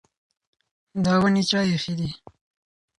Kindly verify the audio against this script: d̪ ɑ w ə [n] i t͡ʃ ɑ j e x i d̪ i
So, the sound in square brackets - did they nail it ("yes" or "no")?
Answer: yes